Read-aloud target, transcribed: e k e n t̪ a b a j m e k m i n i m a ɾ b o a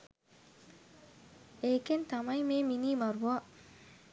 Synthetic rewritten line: e k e n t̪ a m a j m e m i n i m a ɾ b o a